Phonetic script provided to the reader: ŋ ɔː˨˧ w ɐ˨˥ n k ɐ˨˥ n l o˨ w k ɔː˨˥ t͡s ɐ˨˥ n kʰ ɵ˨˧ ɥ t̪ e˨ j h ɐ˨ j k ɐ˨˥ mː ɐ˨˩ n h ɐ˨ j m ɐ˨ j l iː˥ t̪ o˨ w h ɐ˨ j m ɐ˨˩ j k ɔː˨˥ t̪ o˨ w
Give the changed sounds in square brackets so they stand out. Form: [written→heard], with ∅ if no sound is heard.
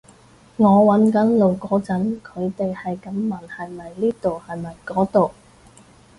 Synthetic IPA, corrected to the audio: ŋ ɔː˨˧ w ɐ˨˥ n k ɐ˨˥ n l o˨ w k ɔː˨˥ t͡s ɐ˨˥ n kʰ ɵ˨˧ ɥ t̪ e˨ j h ɐ˨ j k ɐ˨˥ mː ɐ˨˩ n h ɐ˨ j m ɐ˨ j l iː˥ t̪ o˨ w h ɐ˨ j m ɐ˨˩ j k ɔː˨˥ t̪ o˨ w

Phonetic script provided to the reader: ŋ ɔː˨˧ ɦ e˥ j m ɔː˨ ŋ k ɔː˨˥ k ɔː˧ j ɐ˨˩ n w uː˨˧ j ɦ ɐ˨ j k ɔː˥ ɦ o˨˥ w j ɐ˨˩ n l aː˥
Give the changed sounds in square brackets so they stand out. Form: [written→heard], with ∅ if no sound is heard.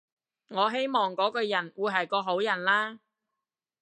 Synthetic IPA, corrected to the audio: ŋ ɔː˨˧ ɦ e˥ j m ɔː˨ ŋ k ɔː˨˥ k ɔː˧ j ɐ˨˩ n w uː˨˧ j ɦ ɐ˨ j k [ɔː˥→ɔː˧] ɦ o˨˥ w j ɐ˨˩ n l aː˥

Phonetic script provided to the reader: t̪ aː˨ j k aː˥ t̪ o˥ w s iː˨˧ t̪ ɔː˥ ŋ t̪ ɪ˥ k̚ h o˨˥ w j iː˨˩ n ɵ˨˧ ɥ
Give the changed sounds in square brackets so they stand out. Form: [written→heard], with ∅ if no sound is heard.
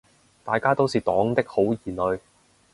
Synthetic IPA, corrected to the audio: t̪ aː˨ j k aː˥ t̪ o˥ w s iː˨˧ t̪ [ɔː˥→ɔː˨˥] ŋ t̪ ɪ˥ k̚ h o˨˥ w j iː˨˩ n ɵ˨˧ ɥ

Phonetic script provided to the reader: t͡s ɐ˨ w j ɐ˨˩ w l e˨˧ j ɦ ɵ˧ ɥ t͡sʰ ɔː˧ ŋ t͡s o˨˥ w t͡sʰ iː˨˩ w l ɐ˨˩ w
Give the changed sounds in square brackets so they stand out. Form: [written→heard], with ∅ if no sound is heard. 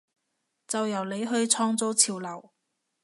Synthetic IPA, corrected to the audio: t͡s ɐ˨ w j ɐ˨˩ w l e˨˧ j ɦ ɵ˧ ɥ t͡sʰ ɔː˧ ŋ t͡s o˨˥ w t͡sʰ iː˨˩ w l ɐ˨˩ w

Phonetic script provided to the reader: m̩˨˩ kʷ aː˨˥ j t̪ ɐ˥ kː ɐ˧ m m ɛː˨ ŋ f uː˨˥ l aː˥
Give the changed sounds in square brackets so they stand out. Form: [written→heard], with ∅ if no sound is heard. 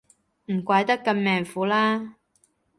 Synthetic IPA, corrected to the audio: m̩˨˩ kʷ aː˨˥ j t̪ ɐ˥ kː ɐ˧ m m ɛː˨ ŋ f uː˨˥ l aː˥

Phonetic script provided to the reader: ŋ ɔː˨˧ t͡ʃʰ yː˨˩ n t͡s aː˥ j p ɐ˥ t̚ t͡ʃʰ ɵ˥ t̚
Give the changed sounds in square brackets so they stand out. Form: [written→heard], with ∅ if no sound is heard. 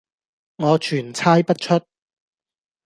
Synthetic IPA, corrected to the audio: ŋ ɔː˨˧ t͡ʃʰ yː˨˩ n [t͡s→t͡sʰ] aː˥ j p ɐ˥ t̚ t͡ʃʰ ɵ˥ t̚

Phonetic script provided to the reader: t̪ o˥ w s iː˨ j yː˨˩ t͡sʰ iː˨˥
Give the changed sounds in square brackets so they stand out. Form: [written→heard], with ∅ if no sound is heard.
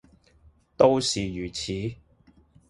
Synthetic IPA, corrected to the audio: t̪ o˥ w s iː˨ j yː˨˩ t͡sʰ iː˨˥

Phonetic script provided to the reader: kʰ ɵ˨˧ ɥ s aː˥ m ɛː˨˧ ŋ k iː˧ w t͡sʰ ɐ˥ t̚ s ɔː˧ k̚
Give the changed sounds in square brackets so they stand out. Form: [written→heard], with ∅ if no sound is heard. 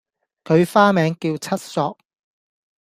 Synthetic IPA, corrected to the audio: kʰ ɵ˨˧ ɥ [s→f] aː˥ m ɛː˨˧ ŋ k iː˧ w t͡sʰ ɐ˥ t̚ s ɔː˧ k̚

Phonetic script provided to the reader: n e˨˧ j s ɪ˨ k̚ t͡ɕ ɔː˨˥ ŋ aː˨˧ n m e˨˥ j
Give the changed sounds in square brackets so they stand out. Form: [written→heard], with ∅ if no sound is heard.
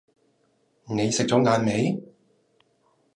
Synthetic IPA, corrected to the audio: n e˨˧ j s ɪ˨ k̚ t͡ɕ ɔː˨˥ ŋ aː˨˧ n m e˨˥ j

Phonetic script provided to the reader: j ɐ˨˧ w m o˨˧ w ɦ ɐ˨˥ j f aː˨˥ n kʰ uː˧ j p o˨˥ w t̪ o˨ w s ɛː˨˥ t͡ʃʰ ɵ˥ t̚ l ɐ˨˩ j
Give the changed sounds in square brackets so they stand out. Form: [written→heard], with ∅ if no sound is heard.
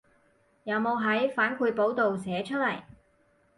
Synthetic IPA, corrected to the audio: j ɐ˨˧ w m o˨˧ w ɦ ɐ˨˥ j f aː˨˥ n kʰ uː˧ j p o˨˥ w t̪ o˨ w s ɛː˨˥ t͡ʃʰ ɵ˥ t̚ l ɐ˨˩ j

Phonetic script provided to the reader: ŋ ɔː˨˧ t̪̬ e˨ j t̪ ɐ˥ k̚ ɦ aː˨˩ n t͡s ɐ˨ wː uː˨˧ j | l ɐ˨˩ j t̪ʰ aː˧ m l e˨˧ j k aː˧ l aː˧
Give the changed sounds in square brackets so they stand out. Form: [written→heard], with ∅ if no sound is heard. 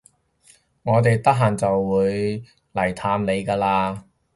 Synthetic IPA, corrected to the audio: ŋ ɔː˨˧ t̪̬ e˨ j t̪ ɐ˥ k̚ ɦ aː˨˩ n t͡s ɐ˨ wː uː˨˧ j | l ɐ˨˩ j t̪ʰ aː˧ m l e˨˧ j k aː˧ l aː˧

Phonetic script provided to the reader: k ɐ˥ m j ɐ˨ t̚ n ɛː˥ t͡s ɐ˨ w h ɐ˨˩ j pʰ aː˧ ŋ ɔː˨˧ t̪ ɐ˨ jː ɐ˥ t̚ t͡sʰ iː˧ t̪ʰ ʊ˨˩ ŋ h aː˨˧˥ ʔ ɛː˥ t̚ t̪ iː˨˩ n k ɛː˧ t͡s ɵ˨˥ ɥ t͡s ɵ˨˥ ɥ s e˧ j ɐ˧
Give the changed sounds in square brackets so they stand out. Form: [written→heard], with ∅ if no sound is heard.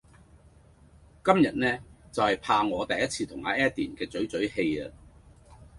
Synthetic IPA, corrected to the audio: k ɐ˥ m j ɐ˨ t̚ n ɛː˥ t͡s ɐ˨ w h ɐ˨˩ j pʰ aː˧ ŋ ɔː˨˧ t̪ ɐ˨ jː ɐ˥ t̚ t͡sʰ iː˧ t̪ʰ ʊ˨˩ ŋ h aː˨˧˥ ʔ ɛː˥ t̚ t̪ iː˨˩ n k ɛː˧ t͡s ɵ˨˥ ɥ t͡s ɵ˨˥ ɥ [s→h] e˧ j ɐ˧

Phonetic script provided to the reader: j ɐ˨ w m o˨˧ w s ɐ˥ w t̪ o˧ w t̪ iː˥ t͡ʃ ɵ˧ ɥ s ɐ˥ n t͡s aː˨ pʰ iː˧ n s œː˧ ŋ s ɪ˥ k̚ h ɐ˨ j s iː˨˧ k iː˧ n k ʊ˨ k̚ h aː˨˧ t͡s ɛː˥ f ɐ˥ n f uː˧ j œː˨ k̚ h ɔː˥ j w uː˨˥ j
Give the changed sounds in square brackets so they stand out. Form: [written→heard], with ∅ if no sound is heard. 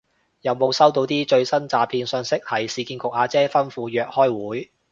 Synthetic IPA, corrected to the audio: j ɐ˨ w m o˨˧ w s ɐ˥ w t̪ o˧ w t̪ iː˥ t͡ʃ ɵ˧ ɥ s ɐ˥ n t͡s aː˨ pʰ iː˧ n s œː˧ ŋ s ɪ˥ k̚ h ɐ˨ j s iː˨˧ k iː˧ n k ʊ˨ k̚ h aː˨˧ t͡s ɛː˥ f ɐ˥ n f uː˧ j œː˨ k̚ h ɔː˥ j w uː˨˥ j

